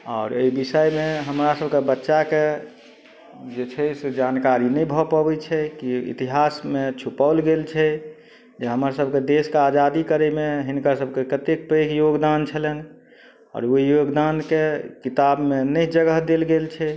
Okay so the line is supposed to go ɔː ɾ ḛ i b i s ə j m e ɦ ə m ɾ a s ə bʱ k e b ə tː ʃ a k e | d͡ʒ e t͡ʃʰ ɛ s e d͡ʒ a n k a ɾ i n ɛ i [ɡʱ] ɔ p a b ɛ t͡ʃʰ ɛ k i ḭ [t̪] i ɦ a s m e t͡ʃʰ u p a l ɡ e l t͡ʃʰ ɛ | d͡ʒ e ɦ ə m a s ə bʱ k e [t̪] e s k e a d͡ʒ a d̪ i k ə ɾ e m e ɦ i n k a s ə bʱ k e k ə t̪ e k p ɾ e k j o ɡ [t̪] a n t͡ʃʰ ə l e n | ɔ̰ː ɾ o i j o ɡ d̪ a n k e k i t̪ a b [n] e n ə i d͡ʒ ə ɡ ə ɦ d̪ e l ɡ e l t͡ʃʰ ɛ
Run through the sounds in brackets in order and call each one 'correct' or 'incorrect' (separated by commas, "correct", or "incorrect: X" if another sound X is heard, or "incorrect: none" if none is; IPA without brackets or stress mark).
incorrect: bʱ, correct, incorrect: d̪, incorrect: d̪, incorrect: m